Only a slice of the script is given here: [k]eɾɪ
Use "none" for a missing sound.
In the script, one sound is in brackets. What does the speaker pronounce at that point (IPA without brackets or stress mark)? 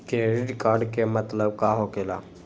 k